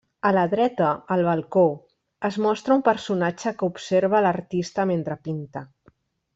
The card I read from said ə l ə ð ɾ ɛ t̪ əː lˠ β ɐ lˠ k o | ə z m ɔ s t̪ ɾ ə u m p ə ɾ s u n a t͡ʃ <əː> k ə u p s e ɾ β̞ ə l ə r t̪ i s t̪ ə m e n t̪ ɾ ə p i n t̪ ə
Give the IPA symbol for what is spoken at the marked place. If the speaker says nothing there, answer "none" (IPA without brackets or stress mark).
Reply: ə